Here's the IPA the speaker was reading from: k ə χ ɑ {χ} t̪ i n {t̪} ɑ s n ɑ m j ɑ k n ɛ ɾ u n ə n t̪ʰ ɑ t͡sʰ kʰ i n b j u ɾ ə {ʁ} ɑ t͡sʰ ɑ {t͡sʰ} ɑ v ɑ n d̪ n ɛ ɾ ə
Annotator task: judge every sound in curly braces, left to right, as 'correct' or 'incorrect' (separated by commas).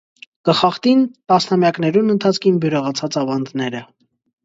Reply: correct, correct, correct, incorrect